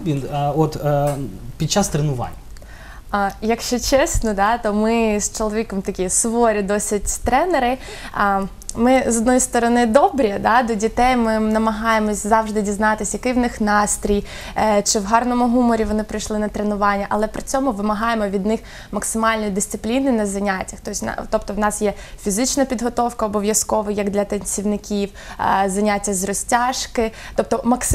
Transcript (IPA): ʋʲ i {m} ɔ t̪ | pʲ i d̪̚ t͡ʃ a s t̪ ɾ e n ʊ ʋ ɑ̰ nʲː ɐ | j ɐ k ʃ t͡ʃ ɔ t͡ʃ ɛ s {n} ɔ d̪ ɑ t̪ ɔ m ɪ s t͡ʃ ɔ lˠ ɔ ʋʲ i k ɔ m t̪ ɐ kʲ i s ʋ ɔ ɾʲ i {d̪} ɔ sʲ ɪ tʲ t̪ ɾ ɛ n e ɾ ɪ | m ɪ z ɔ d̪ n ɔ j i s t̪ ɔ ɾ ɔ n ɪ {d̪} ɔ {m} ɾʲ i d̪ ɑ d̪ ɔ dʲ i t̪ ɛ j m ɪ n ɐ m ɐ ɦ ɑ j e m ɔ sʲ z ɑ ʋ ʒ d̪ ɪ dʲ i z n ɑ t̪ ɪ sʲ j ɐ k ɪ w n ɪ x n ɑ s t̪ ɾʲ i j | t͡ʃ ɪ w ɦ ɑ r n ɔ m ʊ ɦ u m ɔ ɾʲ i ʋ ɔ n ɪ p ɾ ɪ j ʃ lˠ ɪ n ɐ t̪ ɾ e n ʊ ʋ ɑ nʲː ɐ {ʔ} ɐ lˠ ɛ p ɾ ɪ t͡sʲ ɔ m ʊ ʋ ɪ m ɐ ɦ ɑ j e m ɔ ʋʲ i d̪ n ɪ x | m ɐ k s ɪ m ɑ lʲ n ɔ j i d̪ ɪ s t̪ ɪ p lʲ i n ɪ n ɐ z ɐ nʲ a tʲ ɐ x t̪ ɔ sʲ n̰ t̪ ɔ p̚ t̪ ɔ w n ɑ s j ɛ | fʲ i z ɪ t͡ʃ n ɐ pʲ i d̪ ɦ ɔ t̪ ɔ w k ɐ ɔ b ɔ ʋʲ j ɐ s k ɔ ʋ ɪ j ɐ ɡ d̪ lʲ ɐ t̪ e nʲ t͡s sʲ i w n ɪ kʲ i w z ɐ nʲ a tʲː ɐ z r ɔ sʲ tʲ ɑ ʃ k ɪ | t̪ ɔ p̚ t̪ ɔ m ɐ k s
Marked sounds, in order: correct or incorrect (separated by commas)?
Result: incorrect, correct, correct, correct, incorrect, correct